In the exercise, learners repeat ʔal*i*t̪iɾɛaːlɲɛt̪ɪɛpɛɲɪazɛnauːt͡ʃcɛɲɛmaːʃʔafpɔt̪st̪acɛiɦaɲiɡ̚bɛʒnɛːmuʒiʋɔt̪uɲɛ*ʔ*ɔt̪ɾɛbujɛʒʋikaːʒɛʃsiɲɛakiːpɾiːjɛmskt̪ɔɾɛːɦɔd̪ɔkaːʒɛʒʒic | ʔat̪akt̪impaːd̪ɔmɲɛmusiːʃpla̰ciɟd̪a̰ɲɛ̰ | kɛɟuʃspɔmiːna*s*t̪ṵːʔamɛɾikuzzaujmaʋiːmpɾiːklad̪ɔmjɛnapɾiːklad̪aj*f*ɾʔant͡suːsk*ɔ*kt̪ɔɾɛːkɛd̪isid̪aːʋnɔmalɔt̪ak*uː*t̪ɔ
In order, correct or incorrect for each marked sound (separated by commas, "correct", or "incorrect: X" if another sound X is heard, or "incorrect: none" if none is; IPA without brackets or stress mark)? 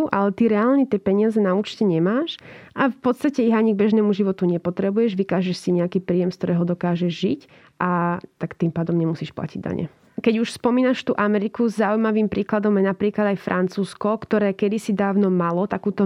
incorrect: ɛ, incorrect: p, incorrect: ʃ, correct, correct, correct